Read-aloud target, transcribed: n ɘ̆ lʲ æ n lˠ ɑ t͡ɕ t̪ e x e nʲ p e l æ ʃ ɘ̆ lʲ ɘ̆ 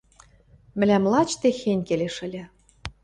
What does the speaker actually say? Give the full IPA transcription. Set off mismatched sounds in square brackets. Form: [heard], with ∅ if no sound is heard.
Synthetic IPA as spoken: [m] ɘ̆ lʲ æ [m] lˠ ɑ t͡ɕ t̪ e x e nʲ [k] e l [e] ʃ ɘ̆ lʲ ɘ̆